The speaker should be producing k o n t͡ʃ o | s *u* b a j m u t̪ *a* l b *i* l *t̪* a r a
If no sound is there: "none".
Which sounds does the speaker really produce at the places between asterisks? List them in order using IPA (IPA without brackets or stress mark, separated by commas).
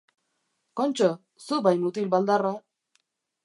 u, i, a, d̪